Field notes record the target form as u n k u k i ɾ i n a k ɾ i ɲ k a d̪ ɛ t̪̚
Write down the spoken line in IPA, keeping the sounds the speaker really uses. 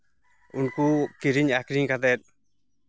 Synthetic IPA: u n k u k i ɾ i ɲ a k ɾ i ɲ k a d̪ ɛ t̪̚